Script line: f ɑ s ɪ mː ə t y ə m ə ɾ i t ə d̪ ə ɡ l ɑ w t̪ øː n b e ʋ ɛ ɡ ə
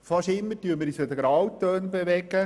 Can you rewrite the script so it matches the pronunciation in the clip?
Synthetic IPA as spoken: f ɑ ʃ ɪ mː ə t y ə m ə ɾ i s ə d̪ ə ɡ ɾ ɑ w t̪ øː n b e ʋ ɛ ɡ ə